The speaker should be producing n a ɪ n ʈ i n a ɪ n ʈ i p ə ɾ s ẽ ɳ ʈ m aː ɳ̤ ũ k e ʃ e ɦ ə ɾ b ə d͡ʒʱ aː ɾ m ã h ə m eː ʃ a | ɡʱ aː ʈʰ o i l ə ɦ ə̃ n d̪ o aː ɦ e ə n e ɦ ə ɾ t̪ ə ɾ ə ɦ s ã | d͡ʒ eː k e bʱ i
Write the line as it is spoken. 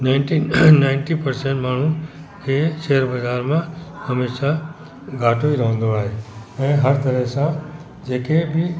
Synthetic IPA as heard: n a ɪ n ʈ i n a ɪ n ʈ i p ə ɾ s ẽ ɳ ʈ m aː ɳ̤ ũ k e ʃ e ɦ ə ɾ b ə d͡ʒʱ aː ɾ m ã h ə m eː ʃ a | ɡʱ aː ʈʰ o i ɾ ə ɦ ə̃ n d̪ o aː ɦ e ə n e ɦ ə ɾ t̪ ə ɾ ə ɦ s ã | d͡ʒ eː k e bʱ i